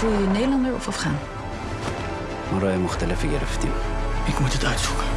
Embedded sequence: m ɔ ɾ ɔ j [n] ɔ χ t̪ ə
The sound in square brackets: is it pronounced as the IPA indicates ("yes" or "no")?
no